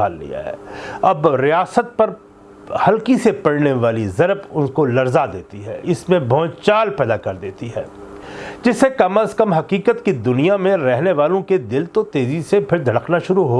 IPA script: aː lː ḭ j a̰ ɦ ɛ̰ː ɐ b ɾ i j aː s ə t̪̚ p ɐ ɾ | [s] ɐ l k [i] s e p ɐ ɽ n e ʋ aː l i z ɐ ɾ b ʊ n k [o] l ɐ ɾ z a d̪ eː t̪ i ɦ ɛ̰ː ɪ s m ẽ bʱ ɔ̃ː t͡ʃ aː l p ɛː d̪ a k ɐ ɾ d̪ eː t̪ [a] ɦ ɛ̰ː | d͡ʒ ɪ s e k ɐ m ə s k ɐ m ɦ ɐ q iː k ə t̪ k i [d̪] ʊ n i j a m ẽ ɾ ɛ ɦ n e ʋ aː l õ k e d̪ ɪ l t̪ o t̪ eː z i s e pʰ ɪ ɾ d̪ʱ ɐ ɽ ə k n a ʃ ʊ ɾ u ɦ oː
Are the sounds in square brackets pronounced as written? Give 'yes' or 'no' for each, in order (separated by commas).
no, yes, yes, no, yes